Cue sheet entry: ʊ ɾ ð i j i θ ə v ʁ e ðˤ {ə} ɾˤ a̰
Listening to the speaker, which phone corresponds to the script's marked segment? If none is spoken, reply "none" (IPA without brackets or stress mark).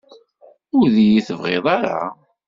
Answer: ɑ